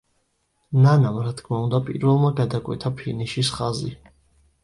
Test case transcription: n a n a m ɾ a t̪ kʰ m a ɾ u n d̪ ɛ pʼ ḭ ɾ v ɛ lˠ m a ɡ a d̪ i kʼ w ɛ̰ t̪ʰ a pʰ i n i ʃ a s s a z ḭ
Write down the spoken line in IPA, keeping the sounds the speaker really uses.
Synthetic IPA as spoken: n a n a m ɾ a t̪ kʰ m a u n d̪ a pʼ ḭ ɾ v ɛ lˠ m a ɡ a d̪ a kʼ w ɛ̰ t̪ʰ a pʰ i n i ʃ i s χ a z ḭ